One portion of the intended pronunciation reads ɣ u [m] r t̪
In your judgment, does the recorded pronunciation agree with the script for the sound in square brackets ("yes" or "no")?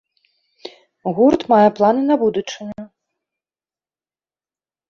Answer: no